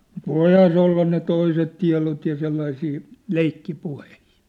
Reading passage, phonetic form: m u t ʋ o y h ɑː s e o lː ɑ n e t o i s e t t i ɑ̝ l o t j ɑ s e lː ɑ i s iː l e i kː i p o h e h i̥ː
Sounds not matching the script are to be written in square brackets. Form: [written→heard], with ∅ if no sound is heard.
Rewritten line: m u t ʋ o [y→i] h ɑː s e o lː ɑ n e t o i s e t t i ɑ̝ l o t j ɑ s e lː ɑ i s iː l e i kː i p [o→u] h e h i̥ː